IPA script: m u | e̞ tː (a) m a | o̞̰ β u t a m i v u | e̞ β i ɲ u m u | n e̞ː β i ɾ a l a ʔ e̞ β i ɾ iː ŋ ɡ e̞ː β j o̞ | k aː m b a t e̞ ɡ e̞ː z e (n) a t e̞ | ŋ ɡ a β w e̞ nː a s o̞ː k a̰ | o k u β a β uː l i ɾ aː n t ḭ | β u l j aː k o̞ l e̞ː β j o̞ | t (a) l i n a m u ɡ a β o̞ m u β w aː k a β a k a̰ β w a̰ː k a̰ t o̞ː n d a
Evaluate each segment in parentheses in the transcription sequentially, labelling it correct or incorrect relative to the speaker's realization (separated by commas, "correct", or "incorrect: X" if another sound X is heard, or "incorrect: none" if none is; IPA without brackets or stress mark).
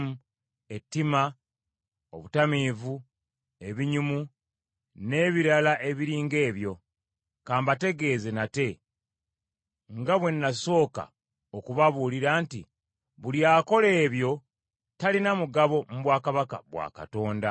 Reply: incorrect: i, correct, correct